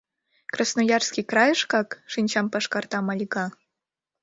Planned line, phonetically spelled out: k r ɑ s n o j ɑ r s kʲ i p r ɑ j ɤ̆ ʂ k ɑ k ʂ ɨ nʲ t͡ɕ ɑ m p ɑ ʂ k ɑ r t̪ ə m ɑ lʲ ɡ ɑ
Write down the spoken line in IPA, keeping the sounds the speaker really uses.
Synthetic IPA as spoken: k r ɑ s n o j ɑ r s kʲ i k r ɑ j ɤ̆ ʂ k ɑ k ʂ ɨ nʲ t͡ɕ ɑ m p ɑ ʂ k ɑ r t̪ ɑ m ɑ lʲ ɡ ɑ